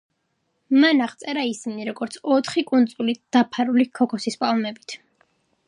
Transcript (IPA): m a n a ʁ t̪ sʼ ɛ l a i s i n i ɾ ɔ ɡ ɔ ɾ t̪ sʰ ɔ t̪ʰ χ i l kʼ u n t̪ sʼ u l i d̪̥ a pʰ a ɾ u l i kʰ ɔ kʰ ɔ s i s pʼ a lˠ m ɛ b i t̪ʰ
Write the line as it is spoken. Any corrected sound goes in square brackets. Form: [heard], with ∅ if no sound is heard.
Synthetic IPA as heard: m a n a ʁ t̪ sʼ ɛ [ɾ] a i s i n i ɾ ɔ ɡ ɔ ɾ t̪ sʰ ɔ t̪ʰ χ i [∅] kʼ u n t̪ sʼ u l i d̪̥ a pʰ a ɾ u l i kʰ ɔ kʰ ɔ s i s pʼ a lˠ m ɛ b i t̪ʰ